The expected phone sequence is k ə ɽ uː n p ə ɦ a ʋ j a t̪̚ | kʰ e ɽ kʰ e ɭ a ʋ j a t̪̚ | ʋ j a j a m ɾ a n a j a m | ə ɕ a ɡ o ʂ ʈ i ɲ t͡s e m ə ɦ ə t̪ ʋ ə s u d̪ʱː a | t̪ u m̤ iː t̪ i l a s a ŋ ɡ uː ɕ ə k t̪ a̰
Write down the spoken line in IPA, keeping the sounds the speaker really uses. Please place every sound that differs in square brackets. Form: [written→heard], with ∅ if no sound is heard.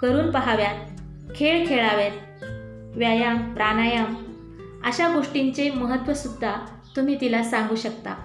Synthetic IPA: k ə [ɽ→ɾ] uː n p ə ɦ a ʋ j a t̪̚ | kʰ e [ɽ→ɭ] kʰ e ɭ a ʋ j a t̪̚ | ʋ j a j a m ɾ a n a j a m | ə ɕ a ɡ o ʂ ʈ i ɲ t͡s e m ə ɦ ə t̪ ʋ ə s u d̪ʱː a | t̪ u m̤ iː t̪ i l a s a ŋ ɡ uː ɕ ə k t̪ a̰